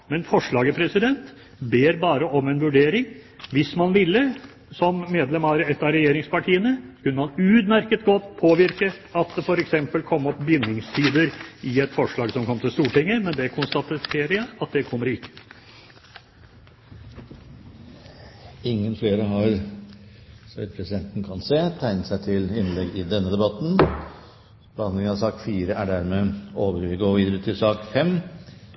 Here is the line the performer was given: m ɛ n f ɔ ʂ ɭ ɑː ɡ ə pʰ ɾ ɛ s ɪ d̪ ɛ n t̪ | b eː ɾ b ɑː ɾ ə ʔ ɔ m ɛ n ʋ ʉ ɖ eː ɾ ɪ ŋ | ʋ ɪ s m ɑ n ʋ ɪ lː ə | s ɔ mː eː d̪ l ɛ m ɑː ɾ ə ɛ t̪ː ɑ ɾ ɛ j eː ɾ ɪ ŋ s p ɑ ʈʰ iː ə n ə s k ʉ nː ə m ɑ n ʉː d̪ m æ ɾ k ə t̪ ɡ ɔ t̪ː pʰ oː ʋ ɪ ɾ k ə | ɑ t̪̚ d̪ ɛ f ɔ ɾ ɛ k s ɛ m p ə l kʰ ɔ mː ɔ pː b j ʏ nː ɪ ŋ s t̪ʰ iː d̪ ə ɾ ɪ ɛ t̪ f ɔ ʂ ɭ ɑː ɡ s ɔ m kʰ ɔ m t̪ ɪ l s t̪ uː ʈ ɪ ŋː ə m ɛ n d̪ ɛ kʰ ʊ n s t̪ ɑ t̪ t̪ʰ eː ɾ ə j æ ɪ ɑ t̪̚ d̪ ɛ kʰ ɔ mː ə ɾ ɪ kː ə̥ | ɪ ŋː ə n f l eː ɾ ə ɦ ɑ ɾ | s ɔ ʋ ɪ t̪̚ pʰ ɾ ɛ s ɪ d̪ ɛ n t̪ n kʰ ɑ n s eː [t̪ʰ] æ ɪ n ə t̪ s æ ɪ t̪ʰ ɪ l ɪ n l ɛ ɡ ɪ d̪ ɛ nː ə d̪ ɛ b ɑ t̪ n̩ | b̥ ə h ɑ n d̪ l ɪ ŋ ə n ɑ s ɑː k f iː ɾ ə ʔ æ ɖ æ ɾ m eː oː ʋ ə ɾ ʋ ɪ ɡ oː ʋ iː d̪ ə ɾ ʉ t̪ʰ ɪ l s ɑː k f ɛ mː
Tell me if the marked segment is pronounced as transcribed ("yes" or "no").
yes